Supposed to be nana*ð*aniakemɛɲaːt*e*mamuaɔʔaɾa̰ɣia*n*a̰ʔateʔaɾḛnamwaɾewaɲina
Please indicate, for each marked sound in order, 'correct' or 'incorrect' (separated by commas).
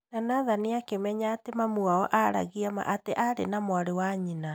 correct, correct, incorrect